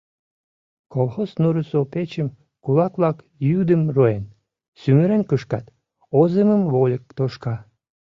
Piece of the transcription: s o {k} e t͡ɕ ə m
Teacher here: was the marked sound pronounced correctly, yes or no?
no